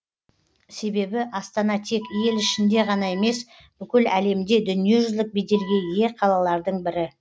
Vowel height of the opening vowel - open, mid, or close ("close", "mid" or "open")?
mid